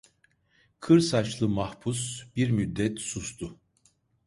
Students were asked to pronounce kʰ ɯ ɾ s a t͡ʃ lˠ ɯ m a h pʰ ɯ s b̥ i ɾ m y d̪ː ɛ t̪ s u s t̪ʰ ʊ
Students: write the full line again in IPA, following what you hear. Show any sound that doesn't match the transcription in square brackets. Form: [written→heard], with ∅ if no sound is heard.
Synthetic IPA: kʰ ɯ ɾ s a t͡ʃ lˠ ɯ m a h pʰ [ɯ→u] s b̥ i ɾ m y d̪ː ɛ t̪ s u s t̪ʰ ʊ